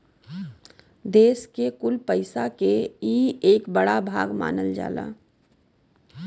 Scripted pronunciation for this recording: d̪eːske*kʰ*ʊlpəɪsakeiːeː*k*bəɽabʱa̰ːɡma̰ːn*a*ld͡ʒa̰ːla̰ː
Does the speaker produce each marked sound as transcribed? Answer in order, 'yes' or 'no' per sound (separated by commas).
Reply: no, yes, no